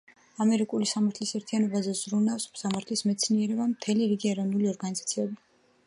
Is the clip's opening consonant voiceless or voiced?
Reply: voiced